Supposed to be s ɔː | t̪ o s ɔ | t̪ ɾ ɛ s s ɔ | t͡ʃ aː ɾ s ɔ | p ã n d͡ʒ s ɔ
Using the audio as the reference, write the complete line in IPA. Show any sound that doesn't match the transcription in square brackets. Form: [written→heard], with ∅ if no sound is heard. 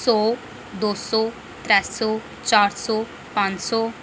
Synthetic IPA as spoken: s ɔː | [t̪→d̪] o s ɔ | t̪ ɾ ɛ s s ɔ | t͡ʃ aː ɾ s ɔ | p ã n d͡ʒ s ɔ